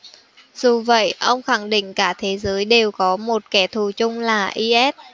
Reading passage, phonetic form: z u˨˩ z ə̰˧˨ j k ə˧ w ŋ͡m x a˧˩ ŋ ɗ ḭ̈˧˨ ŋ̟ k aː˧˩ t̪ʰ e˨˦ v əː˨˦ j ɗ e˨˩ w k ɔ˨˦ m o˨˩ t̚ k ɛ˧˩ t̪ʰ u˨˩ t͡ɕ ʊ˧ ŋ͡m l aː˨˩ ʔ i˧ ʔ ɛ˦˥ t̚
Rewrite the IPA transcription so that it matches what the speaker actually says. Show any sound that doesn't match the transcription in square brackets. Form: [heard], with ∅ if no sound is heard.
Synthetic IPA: z u˨˩ [v] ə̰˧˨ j [ʔ] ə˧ w ŋ͡m x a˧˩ ŋ ɗ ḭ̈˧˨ ŋ̟ k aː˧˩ t̪ʰ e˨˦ [z] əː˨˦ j ɗ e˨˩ w k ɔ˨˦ m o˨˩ t̚ k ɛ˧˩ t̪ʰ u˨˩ t͡ɕ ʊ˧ ŋ͡m l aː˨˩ ʔ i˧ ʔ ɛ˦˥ t̚